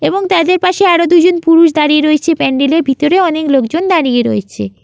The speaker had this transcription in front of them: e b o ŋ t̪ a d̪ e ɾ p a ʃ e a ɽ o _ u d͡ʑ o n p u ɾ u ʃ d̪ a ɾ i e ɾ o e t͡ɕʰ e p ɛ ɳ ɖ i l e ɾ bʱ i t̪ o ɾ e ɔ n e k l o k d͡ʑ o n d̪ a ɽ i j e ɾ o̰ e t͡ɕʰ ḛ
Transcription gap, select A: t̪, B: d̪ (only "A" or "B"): B